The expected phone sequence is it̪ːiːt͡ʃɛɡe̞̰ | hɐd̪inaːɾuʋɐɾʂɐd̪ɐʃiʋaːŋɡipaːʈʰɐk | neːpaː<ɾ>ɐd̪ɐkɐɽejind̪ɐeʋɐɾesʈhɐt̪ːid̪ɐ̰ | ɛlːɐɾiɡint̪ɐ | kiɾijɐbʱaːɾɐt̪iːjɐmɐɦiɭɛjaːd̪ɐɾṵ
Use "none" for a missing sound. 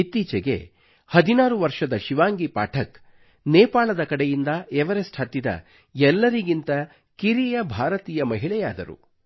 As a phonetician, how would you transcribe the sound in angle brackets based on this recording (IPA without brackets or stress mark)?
ɭ